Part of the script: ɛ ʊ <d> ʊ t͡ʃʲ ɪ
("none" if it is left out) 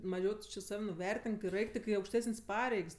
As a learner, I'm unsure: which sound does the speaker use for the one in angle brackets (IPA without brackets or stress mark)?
t